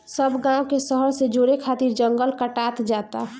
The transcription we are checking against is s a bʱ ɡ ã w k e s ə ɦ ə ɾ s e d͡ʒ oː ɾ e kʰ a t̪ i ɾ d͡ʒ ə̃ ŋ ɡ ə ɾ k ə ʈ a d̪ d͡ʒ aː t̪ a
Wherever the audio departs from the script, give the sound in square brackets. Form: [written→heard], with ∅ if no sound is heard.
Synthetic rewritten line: s [a→ə] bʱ ɡ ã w k e s ə ɦ ə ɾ s e d͡ʒ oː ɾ e kʰ a t̪ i ɾ d͡ʒ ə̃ ŋ ɡ ə [ɾ→l] k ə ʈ a [d̪→t̪] d͡ʒ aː t̪ a